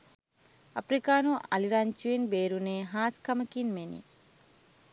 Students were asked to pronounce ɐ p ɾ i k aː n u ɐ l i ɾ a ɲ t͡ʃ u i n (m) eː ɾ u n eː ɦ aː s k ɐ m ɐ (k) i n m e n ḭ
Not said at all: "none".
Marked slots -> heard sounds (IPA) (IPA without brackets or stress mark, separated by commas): b, k